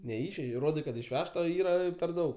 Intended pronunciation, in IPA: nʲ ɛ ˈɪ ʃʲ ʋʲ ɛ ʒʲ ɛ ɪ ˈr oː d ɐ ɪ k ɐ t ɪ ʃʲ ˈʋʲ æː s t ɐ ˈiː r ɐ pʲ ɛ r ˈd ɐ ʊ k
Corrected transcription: nʲ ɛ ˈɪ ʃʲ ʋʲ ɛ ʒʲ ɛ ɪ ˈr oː d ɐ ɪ k ɐ t ɪ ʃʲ ˈʋʲ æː ʃ t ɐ ˈiː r ɐ pʲ ɛ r ˈd ɐ ʊ k